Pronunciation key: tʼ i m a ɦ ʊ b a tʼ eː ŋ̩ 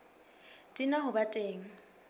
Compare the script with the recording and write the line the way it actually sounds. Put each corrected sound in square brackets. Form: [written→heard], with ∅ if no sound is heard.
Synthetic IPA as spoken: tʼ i [m→n] a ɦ ʊ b a tʼ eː ŋ̩